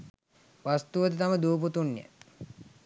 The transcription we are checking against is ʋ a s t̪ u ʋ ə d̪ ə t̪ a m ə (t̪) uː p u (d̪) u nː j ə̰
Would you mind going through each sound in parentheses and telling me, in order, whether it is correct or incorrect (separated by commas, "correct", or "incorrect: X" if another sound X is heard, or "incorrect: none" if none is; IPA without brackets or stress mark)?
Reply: incorrect: d̪, incorrect: t̪